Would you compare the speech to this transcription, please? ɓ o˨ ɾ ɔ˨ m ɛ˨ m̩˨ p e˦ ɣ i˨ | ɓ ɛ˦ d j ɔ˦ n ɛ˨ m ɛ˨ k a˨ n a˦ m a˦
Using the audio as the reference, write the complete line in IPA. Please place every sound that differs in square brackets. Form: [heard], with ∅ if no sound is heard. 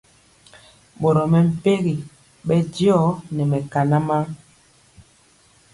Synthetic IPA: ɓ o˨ ɾ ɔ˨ m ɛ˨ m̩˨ p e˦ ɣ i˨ | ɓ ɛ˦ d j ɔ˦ n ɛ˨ m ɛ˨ k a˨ n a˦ m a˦